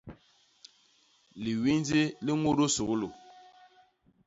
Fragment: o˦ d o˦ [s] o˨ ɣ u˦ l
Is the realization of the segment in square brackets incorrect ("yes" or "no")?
no